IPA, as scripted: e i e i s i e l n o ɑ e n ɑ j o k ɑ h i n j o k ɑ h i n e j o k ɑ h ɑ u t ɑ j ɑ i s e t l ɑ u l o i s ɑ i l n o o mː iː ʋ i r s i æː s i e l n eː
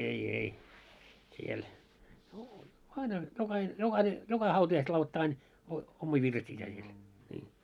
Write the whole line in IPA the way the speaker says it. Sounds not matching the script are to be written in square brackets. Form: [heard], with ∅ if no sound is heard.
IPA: e i e i s i e l n o ɑ [i] n ɑ j o k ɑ h i n j o k ɑ h i n e j o k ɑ h ɑ u t ɑ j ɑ i s e t l ɑ u l o i [t] ɑ i [∅] n o o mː iː ʋ i r s i æː s i e l n [iː]